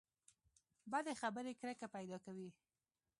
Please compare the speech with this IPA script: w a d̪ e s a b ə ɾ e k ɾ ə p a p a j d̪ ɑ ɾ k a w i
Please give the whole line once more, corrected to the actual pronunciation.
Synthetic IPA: b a d̪ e x a b ə ɾ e k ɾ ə k a p a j d̪ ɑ k a w i